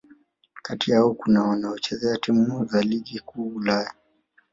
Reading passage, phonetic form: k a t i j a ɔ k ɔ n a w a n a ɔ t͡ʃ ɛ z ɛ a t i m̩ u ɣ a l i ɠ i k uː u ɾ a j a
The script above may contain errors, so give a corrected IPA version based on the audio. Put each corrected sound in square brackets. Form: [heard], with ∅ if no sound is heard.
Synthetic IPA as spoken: k a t i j a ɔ k [u] n a w a n a ɔ t͡ʃ ɛ z ɛ a t i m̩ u [z] a l i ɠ i k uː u [l] a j a